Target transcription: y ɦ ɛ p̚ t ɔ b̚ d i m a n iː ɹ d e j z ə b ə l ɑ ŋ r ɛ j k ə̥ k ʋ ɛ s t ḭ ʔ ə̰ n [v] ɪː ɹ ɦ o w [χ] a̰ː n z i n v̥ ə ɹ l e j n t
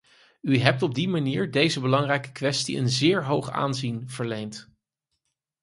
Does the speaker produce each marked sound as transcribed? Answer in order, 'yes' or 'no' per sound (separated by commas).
no, yes